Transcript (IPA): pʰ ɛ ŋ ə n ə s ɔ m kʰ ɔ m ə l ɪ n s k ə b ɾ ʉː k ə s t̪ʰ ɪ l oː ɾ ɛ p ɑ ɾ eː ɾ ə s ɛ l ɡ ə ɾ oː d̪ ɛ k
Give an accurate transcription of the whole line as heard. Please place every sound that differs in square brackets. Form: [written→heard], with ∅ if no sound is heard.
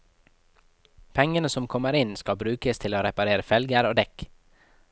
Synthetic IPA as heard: pʰ ɛ ŋ ə n ə s ɔ m kʰ ɔ m ə [l→ɾ] ɪ n s k [ə→ɑ] b ɾ ʉː k ə s t̪ʰ ɪ l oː ɾ ɛ p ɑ ɾ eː ɾ ə [s→f] ɛ l ɡ ə ɾ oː d̪ ɛ k